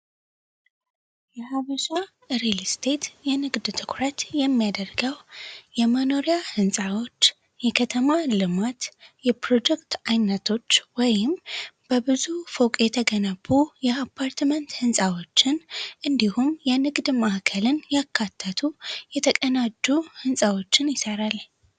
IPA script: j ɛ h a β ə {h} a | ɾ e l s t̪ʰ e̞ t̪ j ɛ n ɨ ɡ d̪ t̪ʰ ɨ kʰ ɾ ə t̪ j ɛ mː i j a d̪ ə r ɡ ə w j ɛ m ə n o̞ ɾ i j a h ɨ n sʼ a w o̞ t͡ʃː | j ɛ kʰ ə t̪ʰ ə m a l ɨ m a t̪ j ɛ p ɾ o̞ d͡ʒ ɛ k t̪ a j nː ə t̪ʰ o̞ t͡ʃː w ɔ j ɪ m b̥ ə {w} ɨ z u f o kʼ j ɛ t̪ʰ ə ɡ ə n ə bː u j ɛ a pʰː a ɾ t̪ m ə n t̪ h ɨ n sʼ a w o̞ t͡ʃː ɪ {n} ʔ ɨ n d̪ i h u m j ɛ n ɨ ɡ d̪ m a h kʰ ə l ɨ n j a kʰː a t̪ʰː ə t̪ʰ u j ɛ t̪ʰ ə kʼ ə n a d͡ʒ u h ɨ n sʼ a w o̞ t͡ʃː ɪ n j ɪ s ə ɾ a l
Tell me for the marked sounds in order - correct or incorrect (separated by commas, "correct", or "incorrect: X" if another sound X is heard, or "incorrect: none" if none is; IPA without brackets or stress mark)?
incorrect: ʃ, incorrect: b, correct